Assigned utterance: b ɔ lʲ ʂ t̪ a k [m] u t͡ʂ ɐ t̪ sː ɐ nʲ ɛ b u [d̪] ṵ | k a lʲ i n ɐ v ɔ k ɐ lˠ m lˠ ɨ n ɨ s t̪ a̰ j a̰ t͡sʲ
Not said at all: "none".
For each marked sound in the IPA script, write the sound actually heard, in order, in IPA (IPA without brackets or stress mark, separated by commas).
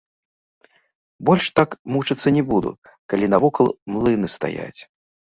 m, d̪